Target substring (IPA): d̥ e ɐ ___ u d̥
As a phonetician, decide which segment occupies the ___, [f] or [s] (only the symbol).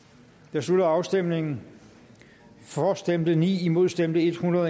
s